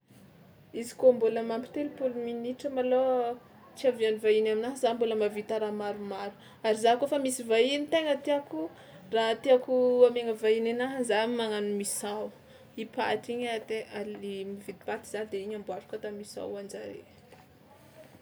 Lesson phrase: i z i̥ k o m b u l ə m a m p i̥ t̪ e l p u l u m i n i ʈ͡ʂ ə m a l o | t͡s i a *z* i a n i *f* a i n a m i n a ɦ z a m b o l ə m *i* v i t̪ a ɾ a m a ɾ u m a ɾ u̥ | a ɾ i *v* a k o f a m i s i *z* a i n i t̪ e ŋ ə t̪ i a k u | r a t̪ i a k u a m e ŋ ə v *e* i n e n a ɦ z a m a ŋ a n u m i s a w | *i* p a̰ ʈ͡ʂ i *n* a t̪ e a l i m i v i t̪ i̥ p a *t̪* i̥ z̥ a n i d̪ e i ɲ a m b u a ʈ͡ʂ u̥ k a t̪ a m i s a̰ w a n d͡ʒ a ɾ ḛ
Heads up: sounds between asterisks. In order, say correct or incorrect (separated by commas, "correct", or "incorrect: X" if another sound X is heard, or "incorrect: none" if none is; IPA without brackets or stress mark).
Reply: incorrect: v, incorrect: v, incorrect: a, incorrect: z, incorrect: v, incorrect: a, correct, incorrect: ɲ, correct